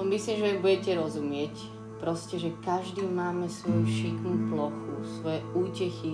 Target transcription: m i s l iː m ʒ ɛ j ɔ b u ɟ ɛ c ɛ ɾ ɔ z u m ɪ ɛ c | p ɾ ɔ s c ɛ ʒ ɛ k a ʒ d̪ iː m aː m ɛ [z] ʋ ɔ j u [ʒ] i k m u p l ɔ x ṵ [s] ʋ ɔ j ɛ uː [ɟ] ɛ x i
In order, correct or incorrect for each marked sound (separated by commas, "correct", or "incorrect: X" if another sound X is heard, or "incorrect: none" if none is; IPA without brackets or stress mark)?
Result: incorrect: s, incorrect: ʃ, correct, incorrect: c